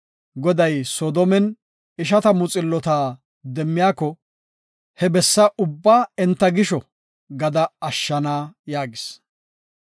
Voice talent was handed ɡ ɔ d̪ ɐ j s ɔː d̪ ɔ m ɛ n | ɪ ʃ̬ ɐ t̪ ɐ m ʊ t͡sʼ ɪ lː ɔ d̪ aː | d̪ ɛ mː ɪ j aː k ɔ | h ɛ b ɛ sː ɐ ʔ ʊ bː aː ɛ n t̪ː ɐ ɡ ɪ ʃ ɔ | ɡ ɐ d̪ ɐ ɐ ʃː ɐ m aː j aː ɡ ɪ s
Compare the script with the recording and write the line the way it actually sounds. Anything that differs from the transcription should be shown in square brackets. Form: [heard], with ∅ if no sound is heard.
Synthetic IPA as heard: ɡ ɔ d̪ ɐ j s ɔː d̪ ɔ m ɛ n | ɪ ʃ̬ ɐ t̪ ɐ m ʊ t͡sʼ ɪ lː ɔ [t̪] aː | d̪ ɛ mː ɪ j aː k ɔ | h ɛ b ɛ sː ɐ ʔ ʊ bː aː ɛ n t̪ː ɐ ɡ ɪ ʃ ɔ | ɡ ɐ d̪ ɐ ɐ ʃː ɐ [n] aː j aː ɡ ɪ s